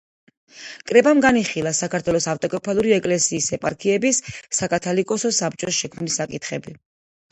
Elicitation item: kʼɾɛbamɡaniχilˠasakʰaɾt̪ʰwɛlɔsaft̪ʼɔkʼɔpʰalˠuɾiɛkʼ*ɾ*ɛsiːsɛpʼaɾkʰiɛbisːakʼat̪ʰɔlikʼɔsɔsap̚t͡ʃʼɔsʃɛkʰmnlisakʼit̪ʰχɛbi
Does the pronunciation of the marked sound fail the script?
yes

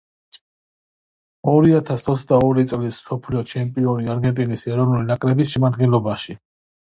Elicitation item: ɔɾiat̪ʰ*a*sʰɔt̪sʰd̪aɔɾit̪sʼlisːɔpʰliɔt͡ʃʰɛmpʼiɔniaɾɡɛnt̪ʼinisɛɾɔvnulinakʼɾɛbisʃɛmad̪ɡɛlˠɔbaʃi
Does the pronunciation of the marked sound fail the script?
no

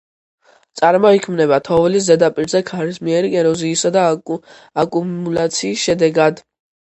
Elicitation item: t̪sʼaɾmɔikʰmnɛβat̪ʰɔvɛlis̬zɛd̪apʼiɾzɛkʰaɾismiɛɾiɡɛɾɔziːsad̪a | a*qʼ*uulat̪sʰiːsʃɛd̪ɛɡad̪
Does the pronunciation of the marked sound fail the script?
yes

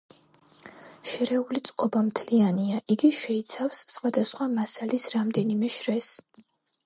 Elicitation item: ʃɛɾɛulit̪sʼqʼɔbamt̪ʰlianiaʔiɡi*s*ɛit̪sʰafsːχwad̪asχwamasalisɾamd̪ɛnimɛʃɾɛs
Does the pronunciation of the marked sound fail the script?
yes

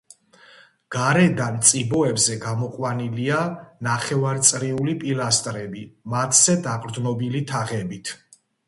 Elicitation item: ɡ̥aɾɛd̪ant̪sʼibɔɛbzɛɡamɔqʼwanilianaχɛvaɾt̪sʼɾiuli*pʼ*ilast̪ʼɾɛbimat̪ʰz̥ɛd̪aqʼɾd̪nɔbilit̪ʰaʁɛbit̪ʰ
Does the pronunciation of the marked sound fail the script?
no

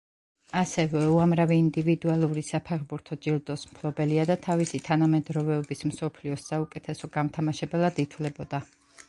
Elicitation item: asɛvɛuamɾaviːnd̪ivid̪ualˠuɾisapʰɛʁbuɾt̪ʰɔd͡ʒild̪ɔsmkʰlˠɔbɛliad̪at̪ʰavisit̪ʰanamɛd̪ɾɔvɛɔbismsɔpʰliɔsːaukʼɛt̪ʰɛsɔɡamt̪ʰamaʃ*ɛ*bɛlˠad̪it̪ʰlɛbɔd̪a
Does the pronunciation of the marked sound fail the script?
no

